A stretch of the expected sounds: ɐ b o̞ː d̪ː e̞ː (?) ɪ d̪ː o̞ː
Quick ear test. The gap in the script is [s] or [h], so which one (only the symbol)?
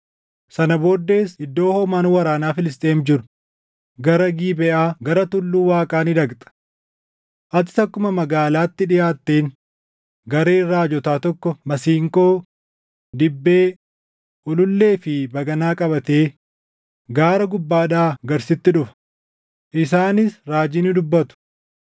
s